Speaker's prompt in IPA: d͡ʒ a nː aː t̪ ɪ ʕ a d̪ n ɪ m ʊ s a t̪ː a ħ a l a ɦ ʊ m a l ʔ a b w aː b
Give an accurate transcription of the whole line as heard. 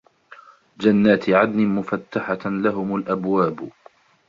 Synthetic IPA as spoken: d͡ʒ a nː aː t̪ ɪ ʕ a d̪ n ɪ m ʊ f a t̪ː a ħ a l a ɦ ʊ m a l ʔ a b w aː b